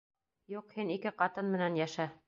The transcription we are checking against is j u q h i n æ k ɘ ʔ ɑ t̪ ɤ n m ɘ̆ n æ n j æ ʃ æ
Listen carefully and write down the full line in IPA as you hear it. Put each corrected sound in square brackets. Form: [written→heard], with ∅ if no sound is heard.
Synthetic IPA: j u q h i n [æ→i] k ɘ [ʔ→q] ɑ t̪ ɤ n m ɘ̆ n æ n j æ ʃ æ